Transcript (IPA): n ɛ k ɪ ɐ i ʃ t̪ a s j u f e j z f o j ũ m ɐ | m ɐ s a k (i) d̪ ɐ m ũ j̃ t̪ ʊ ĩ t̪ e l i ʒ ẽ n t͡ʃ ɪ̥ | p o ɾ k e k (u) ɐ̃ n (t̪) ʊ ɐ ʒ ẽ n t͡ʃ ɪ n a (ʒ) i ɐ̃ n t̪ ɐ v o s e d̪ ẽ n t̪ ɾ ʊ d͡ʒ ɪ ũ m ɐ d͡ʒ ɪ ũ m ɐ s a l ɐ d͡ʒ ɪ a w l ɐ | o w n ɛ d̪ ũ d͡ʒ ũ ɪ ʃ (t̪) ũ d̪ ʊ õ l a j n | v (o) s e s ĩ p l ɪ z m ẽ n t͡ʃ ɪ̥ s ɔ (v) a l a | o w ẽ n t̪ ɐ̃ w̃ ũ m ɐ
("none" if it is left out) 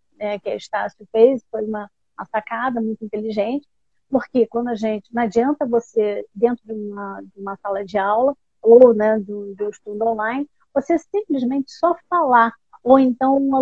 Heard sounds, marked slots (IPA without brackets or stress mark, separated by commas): a, w, d̪, d͡ʒ, t̪, o, f